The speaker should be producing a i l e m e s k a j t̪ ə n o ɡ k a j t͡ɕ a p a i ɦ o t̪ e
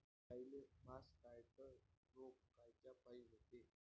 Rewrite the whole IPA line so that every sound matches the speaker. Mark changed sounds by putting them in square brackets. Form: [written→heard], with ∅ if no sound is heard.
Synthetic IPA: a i l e m [e→a] s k a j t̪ ə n o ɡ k a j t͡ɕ a p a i ɦ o t̪ e